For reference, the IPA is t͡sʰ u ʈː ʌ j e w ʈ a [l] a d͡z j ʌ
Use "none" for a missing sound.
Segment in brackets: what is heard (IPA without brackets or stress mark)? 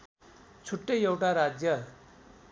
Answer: ɾ